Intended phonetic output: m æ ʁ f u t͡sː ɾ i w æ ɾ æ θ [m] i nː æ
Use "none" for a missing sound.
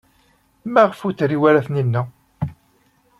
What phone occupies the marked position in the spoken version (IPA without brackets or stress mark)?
n